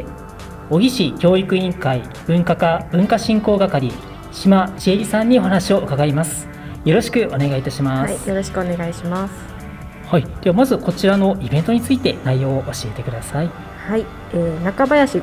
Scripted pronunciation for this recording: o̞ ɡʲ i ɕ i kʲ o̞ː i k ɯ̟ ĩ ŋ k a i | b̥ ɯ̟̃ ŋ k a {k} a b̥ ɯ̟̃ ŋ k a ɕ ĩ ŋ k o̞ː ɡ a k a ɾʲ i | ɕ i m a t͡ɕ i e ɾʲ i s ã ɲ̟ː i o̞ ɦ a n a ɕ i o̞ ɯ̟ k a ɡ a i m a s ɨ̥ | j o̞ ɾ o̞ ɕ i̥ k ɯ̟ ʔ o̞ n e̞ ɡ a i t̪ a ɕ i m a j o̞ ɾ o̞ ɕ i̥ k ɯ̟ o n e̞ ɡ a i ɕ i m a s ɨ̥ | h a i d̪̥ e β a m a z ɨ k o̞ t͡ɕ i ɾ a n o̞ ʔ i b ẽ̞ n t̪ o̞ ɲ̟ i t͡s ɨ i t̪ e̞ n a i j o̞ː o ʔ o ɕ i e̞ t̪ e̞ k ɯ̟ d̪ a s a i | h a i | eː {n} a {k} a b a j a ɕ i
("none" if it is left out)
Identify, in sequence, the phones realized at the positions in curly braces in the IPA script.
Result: k, n, k

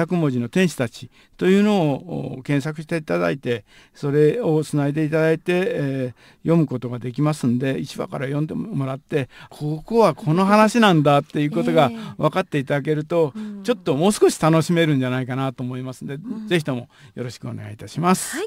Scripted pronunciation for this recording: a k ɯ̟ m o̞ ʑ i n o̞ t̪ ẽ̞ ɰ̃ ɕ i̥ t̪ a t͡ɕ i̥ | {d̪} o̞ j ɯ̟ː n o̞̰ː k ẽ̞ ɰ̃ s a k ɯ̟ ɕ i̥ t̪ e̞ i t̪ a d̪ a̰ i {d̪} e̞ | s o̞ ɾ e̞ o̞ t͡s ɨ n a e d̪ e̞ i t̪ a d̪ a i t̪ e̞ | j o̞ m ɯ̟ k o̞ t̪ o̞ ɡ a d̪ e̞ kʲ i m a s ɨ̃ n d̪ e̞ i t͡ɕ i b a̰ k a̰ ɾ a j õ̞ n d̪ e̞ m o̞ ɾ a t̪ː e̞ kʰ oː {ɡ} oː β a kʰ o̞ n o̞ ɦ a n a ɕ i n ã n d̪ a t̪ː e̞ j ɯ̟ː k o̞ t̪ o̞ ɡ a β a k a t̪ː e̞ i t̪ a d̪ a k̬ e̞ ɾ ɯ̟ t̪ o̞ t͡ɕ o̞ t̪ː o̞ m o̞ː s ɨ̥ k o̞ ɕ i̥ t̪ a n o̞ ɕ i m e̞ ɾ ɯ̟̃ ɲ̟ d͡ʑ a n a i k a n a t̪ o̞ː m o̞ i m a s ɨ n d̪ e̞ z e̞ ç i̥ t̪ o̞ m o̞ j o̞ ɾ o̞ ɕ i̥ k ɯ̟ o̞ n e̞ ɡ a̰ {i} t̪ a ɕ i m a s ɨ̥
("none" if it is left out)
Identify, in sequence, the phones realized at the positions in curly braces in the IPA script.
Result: t̪, t̪, k, i

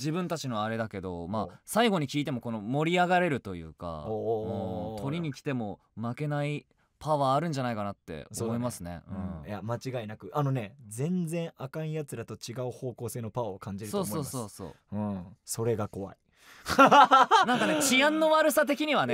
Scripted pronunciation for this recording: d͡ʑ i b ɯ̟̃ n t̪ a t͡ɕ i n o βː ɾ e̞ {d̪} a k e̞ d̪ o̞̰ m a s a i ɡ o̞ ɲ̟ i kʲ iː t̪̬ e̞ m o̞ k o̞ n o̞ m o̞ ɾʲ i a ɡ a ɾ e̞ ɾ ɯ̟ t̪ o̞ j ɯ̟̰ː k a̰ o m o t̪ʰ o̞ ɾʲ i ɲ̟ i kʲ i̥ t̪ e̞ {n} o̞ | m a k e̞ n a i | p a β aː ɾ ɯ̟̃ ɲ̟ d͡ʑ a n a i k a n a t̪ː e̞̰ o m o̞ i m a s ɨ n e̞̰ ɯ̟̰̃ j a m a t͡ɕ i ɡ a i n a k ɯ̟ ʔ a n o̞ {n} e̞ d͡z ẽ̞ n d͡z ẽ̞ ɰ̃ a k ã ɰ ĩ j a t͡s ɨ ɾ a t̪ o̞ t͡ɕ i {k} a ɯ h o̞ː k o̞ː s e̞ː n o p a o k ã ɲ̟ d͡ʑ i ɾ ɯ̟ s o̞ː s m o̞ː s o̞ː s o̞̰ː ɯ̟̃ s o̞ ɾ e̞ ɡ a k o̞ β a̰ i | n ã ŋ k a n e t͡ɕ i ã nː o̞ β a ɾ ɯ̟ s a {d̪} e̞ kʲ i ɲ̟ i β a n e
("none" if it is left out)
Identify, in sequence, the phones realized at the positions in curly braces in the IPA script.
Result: d̪, m, n, ɡ, t̪

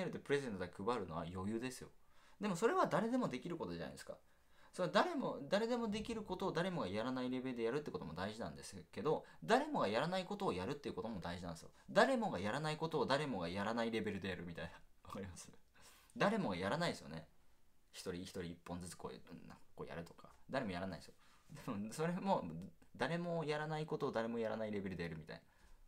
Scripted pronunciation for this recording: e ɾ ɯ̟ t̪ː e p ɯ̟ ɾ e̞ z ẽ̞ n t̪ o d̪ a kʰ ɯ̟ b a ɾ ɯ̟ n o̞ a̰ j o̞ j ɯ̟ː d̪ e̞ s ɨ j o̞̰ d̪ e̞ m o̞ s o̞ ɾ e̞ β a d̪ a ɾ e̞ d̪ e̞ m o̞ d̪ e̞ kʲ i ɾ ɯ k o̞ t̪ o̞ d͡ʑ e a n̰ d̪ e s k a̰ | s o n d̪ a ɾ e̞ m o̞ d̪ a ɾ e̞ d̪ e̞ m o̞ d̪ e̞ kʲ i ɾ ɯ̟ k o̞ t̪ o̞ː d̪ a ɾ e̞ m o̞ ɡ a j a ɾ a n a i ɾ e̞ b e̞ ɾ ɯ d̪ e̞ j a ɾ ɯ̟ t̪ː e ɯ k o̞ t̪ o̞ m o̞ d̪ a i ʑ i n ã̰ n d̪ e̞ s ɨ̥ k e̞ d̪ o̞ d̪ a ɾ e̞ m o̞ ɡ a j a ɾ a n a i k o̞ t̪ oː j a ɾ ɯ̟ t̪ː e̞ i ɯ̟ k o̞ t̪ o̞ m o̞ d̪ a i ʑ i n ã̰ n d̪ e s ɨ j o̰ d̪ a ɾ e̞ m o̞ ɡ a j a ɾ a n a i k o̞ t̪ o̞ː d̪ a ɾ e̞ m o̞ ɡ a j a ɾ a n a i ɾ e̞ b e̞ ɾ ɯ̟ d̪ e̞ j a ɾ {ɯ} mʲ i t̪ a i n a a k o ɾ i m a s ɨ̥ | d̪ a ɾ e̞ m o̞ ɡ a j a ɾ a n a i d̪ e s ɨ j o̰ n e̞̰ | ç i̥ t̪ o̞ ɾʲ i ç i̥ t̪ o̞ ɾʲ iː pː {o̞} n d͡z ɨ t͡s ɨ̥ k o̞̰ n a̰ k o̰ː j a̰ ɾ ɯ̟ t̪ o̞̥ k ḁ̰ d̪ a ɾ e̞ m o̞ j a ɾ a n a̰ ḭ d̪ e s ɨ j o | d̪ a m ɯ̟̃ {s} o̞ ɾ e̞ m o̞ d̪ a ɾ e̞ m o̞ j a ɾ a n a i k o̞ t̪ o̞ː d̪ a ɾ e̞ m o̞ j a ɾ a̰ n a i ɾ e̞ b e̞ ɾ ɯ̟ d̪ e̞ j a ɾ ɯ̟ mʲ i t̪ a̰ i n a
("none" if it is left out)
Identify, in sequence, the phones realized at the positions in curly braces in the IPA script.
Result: ɯ, õ̞, s

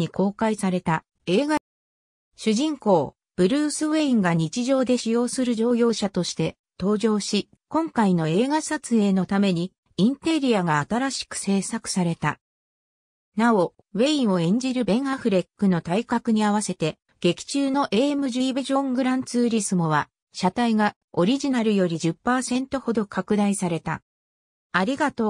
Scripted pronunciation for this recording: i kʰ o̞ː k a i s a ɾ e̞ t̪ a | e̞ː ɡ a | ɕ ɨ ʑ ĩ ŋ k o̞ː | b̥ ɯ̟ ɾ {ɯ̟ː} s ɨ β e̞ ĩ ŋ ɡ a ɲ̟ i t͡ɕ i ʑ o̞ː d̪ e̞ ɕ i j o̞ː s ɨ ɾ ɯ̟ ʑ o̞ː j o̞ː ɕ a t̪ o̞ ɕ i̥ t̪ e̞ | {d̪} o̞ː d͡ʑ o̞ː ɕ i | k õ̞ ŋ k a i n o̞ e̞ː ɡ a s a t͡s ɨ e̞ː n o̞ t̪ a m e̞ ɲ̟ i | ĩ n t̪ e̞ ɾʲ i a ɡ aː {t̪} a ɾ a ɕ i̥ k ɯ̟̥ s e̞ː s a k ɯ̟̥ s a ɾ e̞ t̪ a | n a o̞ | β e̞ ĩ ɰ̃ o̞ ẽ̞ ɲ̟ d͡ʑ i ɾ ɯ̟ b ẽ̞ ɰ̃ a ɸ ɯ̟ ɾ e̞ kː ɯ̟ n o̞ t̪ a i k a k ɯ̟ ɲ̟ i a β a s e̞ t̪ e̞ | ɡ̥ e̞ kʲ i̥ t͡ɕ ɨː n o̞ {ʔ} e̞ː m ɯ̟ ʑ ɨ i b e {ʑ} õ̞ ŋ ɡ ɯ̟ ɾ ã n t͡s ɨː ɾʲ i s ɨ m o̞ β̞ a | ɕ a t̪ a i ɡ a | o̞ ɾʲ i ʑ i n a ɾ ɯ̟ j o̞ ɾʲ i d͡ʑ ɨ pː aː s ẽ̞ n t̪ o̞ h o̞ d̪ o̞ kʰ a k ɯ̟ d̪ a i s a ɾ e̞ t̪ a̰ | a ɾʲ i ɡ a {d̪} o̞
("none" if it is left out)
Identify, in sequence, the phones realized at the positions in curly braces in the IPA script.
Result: ɯ̟ː, t̪, t̪, ʔ, ʑ, t̪

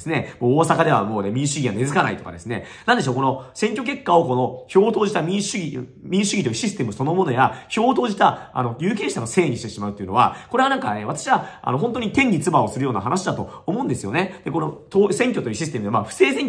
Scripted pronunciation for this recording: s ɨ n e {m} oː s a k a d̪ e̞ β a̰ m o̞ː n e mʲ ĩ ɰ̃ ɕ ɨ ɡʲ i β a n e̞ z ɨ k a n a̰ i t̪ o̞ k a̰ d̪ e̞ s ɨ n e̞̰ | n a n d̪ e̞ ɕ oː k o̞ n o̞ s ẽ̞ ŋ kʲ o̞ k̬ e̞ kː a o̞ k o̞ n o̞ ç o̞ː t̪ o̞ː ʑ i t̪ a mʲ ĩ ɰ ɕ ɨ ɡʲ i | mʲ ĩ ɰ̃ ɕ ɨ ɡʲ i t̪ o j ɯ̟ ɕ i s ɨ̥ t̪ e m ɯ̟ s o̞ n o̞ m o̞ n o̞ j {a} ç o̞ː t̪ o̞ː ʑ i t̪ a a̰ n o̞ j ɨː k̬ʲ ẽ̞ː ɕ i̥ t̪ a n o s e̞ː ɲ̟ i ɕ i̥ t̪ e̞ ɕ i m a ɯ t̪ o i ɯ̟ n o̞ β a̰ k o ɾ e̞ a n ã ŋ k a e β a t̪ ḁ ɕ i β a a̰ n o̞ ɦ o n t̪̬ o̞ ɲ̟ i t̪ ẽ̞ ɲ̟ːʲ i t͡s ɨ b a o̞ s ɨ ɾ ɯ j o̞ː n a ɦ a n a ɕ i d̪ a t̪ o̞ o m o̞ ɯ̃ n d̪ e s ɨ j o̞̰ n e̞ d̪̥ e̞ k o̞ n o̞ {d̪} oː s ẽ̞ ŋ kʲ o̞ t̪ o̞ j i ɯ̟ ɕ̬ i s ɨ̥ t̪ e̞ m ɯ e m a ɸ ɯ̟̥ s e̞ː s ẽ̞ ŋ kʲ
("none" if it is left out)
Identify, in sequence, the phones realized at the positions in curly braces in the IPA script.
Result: m, a, t̪

